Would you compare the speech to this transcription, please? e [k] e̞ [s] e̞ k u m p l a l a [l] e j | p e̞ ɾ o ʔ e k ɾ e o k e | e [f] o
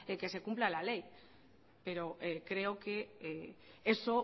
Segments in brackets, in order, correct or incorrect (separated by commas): correct, correct, correct, incorrect